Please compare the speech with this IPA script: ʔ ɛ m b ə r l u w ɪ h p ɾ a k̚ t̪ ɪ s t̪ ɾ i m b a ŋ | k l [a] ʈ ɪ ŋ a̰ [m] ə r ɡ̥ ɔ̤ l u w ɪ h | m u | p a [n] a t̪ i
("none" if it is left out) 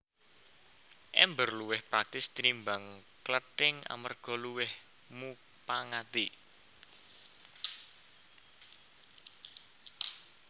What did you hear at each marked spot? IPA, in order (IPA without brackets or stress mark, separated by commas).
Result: ə, m, ŋ